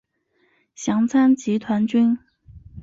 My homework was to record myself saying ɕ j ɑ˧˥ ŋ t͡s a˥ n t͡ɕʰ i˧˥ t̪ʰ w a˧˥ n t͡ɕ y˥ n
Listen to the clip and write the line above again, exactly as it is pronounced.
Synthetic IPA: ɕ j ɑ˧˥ ŋ t͡sʰ a˥ n t͡ɕ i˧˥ t̪ʰ w a˧˥ n t͡ɕ y˥ n